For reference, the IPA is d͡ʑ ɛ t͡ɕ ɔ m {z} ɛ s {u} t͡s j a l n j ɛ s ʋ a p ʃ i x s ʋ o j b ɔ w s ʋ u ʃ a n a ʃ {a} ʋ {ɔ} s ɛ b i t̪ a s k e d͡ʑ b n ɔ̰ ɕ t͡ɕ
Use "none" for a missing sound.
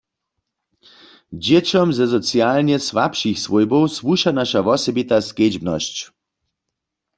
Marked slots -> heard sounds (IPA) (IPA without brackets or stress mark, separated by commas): z, ɔ, a, ɔ